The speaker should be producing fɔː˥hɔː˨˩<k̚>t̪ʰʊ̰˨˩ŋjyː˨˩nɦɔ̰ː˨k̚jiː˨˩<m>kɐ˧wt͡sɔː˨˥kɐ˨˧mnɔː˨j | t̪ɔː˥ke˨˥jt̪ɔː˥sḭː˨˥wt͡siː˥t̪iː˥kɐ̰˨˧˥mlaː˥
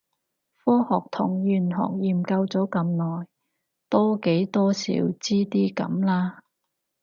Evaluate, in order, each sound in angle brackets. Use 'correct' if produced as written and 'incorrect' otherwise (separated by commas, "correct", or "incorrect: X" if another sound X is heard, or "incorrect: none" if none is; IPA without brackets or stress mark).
correct, correct